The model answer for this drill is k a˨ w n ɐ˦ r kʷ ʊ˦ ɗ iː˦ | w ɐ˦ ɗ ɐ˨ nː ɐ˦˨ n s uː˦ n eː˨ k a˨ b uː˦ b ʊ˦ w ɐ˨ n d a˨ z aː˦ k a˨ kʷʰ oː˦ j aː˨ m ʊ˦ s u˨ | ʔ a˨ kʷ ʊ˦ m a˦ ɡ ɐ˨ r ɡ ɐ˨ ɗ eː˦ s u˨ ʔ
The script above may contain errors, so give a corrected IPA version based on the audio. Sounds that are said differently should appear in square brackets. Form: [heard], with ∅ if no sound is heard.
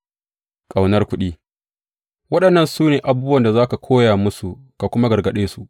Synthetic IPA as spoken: [kʼ] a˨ w n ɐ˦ r kʷ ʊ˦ ɗ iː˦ | w ɐ˦ ɗ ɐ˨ nː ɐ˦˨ n s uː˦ n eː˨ [ʔ] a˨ b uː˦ b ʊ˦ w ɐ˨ n d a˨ z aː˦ k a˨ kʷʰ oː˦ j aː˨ m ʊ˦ s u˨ | [k] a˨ kʷ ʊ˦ m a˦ ɡ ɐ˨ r ɡ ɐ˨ ɗ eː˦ s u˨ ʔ